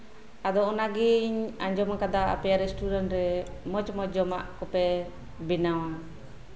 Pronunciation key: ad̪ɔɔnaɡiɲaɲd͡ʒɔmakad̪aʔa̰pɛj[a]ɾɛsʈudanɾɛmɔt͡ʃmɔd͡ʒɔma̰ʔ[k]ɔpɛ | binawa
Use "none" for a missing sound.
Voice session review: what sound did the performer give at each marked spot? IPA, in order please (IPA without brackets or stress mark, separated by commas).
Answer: a, k